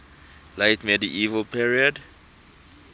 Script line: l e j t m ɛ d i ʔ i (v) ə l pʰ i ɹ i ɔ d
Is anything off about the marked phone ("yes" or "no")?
no